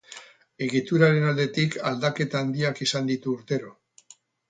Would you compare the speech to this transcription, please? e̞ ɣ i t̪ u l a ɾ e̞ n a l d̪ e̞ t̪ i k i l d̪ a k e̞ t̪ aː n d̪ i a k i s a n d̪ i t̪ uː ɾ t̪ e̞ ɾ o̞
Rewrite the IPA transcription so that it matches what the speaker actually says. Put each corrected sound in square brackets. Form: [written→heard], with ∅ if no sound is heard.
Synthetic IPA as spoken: e̞ ɣ i t̪ u [l→ɾ] a ɾ e̞ n a l d̪ e̞ t̪ i k [i→a] l d̪ a k e̞ t̪ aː n d̪ i a k i s a n d̪ i t̪ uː ɾ t̪ e̞ ɾ o̞